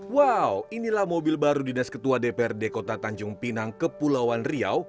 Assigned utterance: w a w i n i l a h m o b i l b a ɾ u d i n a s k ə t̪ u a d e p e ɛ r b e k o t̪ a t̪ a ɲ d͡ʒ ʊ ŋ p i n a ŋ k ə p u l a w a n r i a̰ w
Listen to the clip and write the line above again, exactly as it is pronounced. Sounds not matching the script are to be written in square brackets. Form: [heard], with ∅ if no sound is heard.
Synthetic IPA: w a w i n i l a h m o b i l b a ɾ u d i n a s k ə t̪ u a d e p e ɛ r [d] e k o t̪ a t̪ a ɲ d͡ʒ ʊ ŋ p i n a ŋ k ə p u l a w a n r i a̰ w

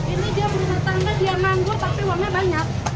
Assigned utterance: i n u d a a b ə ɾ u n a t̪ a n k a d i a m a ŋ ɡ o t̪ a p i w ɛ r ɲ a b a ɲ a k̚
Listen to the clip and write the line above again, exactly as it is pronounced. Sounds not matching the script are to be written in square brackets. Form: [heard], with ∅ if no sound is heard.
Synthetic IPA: i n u d [i] a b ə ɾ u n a t̪ a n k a d i a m a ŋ ɡ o t̪ a p i w [a] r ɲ a b a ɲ a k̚

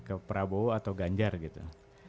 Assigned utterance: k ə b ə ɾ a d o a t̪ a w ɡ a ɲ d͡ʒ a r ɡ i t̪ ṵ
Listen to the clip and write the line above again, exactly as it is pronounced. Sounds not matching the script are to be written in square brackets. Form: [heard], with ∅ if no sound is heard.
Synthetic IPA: k ə [p] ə ɾ a [b] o a t̪ a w ɡ a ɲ d͡ʒ a r ɡ i t̪ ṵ

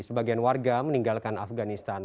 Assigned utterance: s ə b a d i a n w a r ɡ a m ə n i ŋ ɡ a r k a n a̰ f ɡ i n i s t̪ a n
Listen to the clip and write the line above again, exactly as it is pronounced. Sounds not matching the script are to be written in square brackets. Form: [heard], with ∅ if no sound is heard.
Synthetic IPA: s ə b a [ɡ] i a n w a r ɡ a m ə n i ŋ ɡ a [l] k a n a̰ f ɡ [a] n i s t̪ a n

